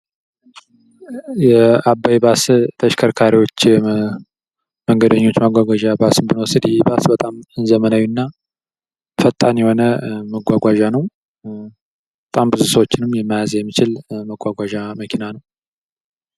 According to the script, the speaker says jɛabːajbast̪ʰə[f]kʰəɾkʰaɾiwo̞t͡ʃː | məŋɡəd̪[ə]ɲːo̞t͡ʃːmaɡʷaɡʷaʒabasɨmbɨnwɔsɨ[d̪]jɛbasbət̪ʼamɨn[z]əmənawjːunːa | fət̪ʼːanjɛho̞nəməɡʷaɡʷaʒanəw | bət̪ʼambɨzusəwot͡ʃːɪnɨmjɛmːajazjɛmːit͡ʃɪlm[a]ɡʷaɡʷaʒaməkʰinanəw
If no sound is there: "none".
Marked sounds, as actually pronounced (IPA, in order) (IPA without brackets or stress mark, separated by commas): ʃ, ə, d̪, z, ə